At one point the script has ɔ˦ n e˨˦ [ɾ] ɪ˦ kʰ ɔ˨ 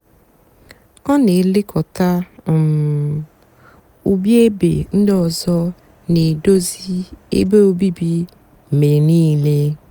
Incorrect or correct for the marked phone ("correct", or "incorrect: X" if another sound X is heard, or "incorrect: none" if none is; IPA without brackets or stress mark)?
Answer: incorrect: l